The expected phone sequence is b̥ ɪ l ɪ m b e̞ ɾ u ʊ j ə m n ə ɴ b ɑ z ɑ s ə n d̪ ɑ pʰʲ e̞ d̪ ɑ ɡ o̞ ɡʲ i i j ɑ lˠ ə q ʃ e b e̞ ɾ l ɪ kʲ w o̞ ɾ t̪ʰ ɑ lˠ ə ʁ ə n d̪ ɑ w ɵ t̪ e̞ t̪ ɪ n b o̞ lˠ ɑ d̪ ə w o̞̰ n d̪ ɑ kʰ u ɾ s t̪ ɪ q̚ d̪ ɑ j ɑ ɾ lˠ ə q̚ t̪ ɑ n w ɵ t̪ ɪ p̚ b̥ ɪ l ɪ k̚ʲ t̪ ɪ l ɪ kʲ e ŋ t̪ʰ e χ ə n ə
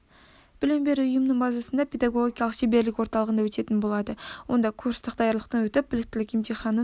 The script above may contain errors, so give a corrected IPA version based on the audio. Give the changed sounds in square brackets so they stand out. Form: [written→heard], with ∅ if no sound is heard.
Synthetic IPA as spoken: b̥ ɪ l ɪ m b e̞ ɾ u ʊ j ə m n ə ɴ b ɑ z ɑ s ə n d̪ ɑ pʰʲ e̞ d̪ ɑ ɡ o̞ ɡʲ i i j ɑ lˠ ə q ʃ e b e̞ ɾ l ɪ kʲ w o̞ ɾ [t̪ʰ→t̪] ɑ lˠ ə ʁ ə n d̪ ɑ w ɵ t̪ e̞ t̪ ɪ n b o̞ lˠ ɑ d̪ ə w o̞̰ n d̪ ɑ kʰ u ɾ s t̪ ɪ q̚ d̪ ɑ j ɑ ɾ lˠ ə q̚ t̪ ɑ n w ɵ t̪ ɪ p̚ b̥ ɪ l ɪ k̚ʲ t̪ ɪ l ɪ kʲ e [ŋ→m] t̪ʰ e χ [ə→ɑ] n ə